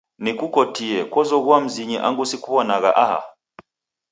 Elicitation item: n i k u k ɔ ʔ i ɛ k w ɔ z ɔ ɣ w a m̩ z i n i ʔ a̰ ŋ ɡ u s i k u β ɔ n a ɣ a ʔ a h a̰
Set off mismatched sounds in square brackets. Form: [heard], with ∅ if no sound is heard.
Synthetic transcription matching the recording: n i k u k ɔ [t] i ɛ k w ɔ z ɔ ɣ w a m̩ z i [ɲ] i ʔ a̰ ŋ ɡ u s i k u β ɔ n a ɣ a ʔ a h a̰

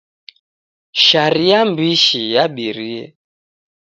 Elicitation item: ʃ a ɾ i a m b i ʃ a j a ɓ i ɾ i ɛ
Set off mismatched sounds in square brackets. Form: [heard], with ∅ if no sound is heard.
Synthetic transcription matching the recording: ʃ a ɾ i a m b i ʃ [i] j a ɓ i ɾ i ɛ

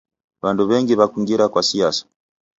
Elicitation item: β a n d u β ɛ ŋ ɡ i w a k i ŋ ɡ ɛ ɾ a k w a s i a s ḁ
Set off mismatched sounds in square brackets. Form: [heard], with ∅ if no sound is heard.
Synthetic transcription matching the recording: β a n d u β ɛ ŋ ɡ i [β] a k i ŋ ɡ [i] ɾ a k w a s i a s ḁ

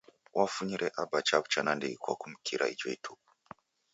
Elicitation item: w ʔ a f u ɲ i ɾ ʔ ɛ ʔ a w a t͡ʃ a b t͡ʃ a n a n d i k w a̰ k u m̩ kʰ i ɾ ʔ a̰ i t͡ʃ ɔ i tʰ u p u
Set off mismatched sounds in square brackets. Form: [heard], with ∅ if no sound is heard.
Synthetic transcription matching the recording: w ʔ a f u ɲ i ɾ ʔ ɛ ʔ a [b] a t͡ʃ a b t͡ʃ a n a n d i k w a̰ k u m̩ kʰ i ɾ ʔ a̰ i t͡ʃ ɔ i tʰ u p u

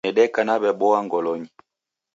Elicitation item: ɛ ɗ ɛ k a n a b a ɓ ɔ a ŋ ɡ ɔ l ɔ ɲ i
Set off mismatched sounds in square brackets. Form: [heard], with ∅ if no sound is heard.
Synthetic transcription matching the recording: ɛ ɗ ɛ k a n a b [ɛ] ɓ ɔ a ŋ ɡ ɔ l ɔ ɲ i

